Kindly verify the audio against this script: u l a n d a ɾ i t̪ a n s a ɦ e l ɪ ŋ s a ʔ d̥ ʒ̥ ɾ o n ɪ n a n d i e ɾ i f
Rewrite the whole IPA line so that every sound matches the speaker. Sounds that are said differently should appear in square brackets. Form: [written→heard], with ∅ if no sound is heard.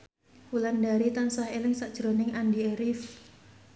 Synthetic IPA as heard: u l a n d a ɾ i t̪ a n s a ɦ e l ɪ ŋ s a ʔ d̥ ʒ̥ ɾ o n ɪ [n→ŋ] a n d i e ɾ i f